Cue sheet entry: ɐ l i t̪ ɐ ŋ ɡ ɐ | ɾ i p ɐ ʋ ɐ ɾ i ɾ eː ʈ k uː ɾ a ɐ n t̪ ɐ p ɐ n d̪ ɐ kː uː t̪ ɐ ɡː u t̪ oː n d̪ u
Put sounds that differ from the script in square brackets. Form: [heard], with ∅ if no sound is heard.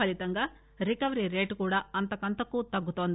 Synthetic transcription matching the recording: ɐ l i t̪ ɐ ŋ ɡ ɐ | ɾ i [k] ɐ ʋ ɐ ɾ i ɾ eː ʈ k uː [ɽ] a ɐ n t̪ ɐ [k] ɐ n [t̪] ɐ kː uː t̪ ɐ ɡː u t̪ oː n d̪ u